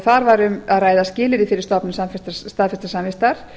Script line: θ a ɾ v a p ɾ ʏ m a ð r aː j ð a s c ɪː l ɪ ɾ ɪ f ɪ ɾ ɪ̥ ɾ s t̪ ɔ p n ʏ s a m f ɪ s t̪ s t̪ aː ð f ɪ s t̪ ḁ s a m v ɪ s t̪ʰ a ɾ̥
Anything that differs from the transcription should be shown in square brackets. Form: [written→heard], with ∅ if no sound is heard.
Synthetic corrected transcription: θ a ɾ v a [p→∅] ɾ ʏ m a ð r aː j ð a s c ɪː l ɪ ɾ ɪ f ɪ ɾ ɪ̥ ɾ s t̪ ɔ p n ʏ s a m f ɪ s t̪ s t̪ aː ð f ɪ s t̪ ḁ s a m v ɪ s [t̪ʰ→t̪] a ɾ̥

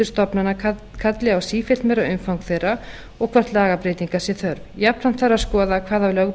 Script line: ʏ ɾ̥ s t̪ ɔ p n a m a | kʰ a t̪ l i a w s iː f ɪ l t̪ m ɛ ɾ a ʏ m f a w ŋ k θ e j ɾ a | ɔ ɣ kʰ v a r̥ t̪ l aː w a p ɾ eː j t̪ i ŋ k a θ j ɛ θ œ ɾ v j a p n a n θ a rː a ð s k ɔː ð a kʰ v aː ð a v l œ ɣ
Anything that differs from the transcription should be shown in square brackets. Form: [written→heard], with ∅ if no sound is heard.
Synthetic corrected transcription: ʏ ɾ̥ s t̪ ɔ p n a [m→n] a | kʰ a t̪ l [i→ɪ] a w s iː f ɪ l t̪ m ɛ ɾ a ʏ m f a w ŋ k θ e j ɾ a | ɔ ɣ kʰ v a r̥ t̪ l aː [w→ɣ] a p ɾ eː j t̪ i ŋ k a [θ→s] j ɛ θ œ ɾ v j a p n a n θ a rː a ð s k ɔː ð a kʰ v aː ð a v l œ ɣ

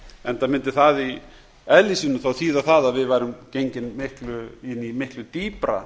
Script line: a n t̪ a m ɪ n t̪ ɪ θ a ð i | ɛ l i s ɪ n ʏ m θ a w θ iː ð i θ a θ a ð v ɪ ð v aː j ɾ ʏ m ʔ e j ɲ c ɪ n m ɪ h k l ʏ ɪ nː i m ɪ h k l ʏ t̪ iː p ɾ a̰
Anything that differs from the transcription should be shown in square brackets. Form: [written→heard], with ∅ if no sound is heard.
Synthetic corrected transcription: [a→ɛ] n t̪ a m ɪ n t̪ ɪ θ a ð i | ɛ l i s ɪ n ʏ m θ a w θ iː ð [i→a] θ a [θ→ð] a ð v ɪ ð v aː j ɾ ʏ m [ʔ→c] e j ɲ c ɪ n m ɪ h k l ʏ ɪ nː i m ɪ h k l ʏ t̪ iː p ɾ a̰

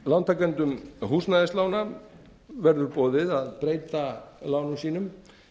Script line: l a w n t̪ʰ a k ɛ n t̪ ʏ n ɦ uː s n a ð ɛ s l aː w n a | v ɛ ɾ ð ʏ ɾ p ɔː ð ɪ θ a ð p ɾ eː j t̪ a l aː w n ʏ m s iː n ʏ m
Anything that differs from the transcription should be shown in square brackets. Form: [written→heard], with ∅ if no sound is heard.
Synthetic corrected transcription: l a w n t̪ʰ a k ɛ n t̪ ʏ [n→m] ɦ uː s n a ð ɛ s l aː w n a | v ɛ ɾ ð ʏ ɾ p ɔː ð ɪ [θ→ð] a ð p ɾ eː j t̪ a l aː w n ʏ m s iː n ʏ m

